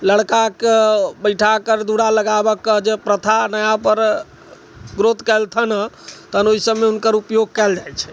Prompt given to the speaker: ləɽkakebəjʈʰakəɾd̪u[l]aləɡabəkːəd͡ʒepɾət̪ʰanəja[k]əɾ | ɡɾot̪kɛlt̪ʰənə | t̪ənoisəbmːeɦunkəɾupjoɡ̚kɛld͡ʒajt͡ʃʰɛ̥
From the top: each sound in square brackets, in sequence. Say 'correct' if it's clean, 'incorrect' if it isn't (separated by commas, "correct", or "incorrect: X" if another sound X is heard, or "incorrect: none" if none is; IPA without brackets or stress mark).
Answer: incorrect: ɽ, incorrect: p